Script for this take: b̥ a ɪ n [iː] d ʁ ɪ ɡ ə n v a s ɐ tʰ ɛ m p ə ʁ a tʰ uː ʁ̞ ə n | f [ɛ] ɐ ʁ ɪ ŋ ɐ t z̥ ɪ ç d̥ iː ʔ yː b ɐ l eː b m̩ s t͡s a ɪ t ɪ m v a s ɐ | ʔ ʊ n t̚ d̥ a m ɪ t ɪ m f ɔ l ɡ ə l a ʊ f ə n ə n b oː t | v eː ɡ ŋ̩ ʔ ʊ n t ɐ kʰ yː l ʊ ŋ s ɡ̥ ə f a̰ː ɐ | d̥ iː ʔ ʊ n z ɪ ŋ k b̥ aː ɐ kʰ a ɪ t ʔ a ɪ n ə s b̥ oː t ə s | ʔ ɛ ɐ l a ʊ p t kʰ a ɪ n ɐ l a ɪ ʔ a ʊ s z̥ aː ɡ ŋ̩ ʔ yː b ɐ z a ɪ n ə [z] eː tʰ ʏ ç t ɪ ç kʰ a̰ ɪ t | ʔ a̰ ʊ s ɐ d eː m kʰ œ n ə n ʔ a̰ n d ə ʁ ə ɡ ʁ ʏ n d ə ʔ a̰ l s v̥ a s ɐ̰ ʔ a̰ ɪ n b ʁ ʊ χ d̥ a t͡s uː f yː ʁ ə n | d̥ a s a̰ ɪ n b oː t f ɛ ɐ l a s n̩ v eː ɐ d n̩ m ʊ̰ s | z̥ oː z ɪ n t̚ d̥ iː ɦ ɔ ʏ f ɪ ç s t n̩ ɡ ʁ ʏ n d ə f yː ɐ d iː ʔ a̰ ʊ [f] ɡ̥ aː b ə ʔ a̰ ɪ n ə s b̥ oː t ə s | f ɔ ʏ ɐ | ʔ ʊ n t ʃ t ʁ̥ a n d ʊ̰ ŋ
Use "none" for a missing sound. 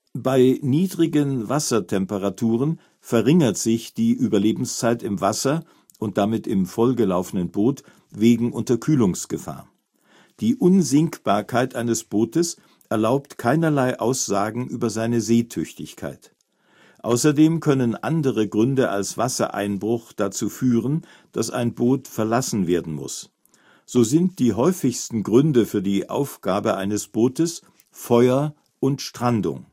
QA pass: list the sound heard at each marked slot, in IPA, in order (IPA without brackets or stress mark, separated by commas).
iː, ɛ, z, f